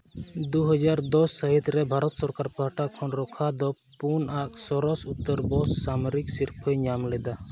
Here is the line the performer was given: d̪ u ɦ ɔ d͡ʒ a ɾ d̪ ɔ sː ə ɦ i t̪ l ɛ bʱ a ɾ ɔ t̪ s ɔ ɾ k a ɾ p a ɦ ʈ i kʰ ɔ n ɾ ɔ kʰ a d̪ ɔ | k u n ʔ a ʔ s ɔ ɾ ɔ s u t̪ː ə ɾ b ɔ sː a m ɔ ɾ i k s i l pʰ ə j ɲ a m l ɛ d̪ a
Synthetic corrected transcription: d̪ u ɦ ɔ d͡ʒ a ɾ d̪ ɔ sː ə ɦ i t̪ ɾ ɛ bʱ a ɾ ɔ t̪ s ɔ ɾ k a ɾ p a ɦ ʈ a kʰ ɔ n ɾ ɔ kʰ a d̪ ɔ | p u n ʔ a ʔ s ɔ ɾ ɔ s u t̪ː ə ɾ b ɔ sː a m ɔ ɾ i k s i ɾ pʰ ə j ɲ a m l ɛ d̪ a